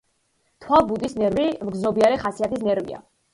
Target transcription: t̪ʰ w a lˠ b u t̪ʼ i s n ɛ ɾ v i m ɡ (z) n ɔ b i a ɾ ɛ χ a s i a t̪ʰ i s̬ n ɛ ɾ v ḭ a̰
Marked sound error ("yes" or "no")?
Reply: no